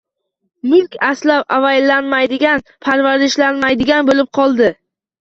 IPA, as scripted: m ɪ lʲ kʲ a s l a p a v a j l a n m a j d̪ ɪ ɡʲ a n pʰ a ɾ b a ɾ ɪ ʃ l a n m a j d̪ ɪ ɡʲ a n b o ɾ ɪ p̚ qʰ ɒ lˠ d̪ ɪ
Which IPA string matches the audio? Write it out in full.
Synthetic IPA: m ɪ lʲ kʲ a s l a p a v a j l a n m a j d̪ ɪ ɡʲ a n pʰ a ɾ v a ɾ ɪ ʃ l a n m a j d̪ ɪ ɡʲ a n b o l ɪ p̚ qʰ ɒ lˠ d̪ ɪ